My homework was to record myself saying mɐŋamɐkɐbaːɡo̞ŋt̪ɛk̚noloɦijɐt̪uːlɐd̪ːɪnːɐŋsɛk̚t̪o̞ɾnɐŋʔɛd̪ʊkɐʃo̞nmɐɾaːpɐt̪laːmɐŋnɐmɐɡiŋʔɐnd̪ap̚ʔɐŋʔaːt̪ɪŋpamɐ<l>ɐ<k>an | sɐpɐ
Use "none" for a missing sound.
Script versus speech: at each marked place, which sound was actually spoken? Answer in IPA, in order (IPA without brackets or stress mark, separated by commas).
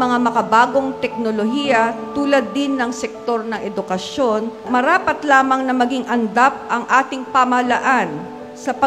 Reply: l, ʔ